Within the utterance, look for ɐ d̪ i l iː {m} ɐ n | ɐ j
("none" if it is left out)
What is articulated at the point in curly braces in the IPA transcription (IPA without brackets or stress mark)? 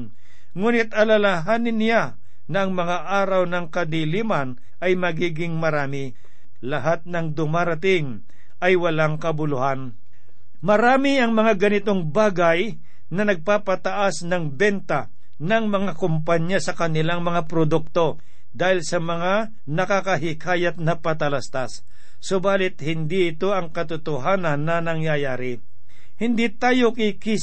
m